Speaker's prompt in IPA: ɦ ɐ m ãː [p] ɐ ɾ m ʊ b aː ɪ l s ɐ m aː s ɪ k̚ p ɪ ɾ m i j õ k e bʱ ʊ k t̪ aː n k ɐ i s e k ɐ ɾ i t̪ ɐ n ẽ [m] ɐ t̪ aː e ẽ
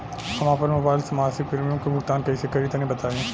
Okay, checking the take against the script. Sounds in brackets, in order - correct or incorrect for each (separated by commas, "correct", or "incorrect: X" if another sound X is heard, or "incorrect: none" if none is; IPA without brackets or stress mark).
correct, incorrect: b